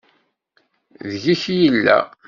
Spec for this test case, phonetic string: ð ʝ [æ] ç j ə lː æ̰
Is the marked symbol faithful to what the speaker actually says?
no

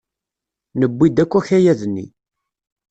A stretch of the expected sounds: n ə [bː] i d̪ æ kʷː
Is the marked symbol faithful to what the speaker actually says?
yes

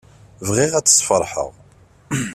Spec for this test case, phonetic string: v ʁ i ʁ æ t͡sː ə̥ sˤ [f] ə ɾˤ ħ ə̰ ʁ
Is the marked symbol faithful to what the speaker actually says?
yes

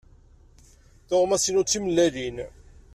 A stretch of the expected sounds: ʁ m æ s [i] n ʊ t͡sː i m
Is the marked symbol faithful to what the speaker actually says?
yes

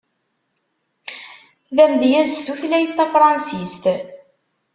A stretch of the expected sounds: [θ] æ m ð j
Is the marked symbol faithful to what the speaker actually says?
no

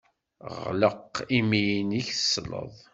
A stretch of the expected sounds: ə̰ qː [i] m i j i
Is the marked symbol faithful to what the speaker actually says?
yes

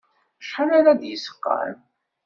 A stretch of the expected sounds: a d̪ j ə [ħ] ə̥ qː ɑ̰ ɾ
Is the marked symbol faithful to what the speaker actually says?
no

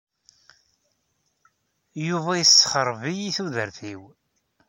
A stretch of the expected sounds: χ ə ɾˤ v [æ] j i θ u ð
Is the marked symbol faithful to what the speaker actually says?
no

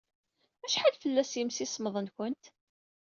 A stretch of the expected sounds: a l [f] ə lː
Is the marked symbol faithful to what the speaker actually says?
yes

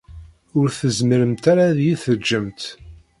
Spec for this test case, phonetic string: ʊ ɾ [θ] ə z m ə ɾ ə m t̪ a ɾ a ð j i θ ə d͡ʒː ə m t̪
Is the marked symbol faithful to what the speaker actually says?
yes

